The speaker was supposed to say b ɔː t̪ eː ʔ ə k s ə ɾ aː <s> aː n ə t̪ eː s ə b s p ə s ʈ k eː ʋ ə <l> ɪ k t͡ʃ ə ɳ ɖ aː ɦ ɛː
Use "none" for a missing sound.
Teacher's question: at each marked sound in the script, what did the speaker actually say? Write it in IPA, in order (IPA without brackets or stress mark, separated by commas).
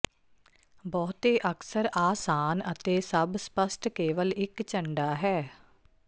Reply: s, l